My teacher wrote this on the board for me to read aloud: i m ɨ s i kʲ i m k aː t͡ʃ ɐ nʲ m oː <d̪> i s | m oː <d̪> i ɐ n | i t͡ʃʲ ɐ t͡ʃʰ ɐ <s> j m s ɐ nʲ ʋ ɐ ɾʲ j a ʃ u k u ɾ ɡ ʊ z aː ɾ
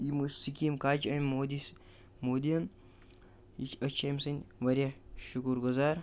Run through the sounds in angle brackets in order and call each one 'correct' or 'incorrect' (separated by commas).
correct, correct, incorrect